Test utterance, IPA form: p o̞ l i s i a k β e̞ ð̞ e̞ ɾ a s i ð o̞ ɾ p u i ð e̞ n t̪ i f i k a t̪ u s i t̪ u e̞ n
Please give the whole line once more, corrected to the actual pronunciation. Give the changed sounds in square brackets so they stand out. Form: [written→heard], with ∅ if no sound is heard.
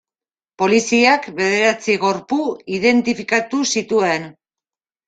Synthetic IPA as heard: p o̞ l i s i a k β e̞ ð̞ e̞ ɾ a [s→t͡s] i [ð→ɣ] o̞ ɾ p u i ð e̞ n t̪ i f i k a t̪ u s i t̪ u e̞ n